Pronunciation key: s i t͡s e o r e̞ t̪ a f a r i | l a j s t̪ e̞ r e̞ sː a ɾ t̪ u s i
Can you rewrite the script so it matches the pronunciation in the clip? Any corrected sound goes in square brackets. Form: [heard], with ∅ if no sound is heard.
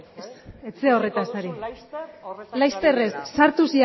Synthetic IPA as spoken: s [e] t͡s e o r e̞ t̪ a [s] a [ɾ] i | l a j s t̪ e̞ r e̞ sː a ɾ t̪ u s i